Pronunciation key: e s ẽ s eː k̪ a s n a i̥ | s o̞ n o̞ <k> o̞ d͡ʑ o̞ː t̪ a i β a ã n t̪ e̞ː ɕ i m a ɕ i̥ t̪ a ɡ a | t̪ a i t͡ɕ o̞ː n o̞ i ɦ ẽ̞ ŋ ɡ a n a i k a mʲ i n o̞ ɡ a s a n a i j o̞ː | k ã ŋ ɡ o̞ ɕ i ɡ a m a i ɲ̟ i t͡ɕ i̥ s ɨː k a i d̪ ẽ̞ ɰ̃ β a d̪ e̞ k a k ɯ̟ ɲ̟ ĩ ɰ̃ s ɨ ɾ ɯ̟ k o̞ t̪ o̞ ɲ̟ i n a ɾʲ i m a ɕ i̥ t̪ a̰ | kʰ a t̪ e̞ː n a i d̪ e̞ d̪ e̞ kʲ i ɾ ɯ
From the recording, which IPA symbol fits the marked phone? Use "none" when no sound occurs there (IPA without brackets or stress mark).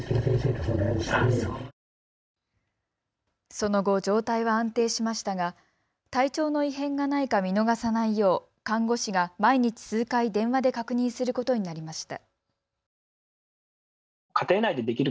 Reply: ɡ